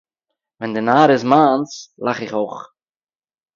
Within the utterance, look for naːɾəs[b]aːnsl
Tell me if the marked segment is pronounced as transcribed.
no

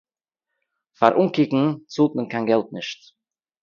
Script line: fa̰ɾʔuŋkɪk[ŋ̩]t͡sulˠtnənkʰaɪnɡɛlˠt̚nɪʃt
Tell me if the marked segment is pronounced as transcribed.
yes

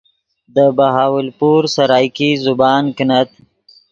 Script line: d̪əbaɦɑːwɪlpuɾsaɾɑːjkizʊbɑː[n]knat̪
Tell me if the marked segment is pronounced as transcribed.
yes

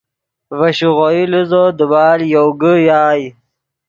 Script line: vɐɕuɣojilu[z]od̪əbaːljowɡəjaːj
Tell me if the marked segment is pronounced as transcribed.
yes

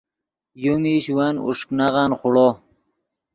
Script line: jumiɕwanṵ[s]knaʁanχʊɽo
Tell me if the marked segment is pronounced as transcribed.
no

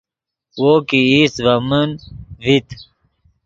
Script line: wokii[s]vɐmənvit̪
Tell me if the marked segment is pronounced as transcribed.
yes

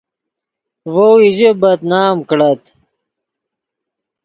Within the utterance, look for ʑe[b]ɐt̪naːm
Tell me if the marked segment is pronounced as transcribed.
yes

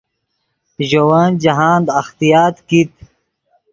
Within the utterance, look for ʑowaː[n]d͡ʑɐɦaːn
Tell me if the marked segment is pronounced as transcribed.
yes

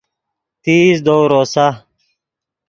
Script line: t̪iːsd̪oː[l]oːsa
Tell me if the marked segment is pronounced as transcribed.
no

